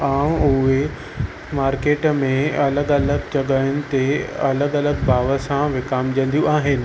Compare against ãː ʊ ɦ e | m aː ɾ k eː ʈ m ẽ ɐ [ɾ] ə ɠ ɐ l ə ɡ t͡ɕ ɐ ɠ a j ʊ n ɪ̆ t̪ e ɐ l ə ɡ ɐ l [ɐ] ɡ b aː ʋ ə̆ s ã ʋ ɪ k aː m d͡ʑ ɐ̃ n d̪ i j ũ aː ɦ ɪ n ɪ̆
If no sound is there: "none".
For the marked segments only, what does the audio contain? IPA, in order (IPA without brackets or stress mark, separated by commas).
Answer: l, ə